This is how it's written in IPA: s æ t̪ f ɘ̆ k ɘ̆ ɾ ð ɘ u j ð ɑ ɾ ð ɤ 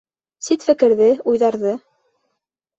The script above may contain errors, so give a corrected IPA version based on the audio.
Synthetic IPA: s i t̪ f ɘ̆ k ɘ̆ ɾ ð ɘ u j ð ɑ ɾ ð ɤ